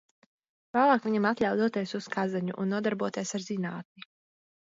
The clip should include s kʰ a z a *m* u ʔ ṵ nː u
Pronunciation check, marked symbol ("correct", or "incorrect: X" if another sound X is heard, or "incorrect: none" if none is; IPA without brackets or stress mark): incorrect: ɲ